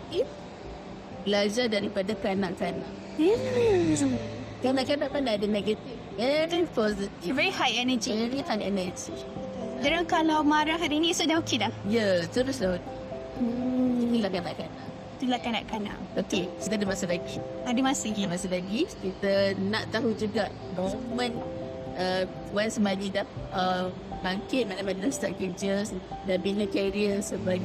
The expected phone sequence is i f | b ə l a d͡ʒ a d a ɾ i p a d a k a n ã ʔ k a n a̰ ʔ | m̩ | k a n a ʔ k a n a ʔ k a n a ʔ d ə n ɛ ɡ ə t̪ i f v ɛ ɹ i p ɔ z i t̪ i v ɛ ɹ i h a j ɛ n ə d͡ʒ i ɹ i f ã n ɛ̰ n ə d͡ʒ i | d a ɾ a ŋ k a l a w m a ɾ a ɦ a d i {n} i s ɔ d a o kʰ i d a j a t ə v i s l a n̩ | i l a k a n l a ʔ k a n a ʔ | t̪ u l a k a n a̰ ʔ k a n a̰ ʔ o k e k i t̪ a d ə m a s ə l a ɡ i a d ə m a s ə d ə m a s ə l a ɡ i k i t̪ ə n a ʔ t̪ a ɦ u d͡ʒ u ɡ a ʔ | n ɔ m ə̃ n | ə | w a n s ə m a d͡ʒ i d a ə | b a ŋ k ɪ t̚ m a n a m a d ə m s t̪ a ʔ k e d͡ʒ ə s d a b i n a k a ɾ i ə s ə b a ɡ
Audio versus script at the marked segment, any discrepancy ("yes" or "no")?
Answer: no